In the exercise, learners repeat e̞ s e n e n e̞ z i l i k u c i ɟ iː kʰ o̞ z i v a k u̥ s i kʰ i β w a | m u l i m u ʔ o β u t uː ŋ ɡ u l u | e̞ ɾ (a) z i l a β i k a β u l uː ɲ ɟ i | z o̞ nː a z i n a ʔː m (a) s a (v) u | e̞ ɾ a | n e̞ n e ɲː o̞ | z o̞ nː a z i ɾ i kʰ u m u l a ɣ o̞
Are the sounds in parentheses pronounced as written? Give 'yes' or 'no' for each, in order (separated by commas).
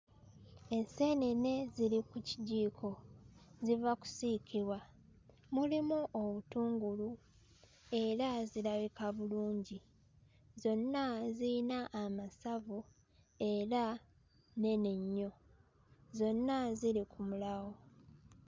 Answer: yes, yes, yes